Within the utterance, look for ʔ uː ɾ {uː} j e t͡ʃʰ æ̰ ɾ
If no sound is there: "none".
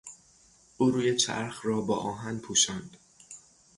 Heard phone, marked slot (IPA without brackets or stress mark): uː